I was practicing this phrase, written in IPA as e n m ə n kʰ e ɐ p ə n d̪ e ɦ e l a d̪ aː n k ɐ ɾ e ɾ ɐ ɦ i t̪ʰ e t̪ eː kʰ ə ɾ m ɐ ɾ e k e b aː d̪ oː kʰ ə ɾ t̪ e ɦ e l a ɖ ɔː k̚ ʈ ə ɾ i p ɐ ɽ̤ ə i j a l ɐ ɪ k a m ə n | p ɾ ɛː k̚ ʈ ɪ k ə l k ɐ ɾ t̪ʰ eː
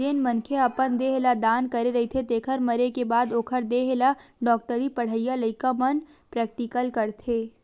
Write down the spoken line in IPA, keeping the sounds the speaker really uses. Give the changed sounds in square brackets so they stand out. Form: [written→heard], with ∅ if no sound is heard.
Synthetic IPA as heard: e n m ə n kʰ e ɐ p ə n d̪ e ɦ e l a d̪ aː n k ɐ ɾ e ɾ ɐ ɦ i t̪ʰ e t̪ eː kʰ ə ɾ m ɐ ɾ e k e b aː d̪ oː kʰ ə ɾ [t̪→d̪] e ɦ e l a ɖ ɔː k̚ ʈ ə ɾ i p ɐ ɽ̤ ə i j a l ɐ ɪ k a m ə n | p ɾ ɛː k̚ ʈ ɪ k ə l k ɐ ɾ t̪ʰ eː